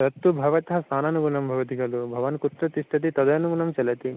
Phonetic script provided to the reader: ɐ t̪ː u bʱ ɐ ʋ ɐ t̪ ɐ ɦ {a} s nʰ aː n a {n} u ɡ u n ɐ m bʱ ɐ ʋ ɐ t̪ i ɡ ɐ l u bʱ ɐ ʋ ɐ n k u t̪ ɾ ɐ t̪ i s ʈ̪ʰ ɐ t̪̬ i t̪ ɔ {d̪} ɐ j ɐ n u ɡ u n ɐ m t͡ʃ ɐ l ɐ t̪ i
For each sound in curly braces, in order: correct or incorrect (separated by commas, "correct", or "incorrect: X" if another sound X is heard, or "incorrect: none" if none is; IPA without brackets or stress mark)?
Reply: incorrect: ɐ, correct, correct